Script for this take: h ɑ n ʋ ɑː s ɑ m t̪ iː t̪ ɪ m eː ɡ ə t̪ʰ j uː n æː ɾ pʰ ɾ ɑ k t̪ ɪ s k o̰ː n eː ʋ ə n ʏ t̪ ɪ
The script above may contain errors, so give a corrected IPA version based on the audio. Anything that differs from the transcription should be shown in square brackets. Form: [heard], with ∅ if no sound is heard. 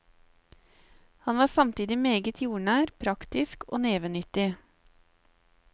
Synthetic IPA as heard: h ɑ n ʋ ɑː s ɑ m t̪ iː [d̪] ɪ m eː ɡ ə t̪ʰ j uː [ɳ] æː ɾ pʰ ɾ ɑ k t̪ ɪ s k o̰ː n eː ʋ ə n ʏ t̪ ɪ